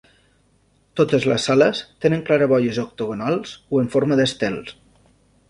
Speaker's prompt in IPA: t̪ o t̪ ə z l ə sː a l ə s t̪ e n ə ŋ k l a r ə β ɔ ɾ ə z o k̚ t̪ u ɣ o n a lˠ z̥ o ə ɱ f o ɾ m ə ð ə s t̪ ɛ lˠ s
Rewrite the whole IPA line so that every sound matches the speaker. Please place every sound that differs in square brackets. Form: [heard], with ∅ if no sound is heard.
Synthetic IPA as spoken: t̪ o t̪ ə z l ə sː a l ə s t̪ e n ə ŋ k l a [ɾ] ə β ɔ [ʎ] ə z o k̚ t̪ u ɣ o n a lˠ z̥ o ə ɱ f o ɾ m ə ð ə s t̪ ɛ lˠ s